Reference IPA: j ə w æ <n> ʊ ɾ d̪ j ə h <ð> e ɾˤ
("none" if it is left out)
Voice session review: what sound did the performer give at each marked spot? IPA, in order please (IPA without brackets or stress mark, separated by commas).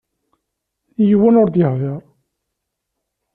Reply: n, ð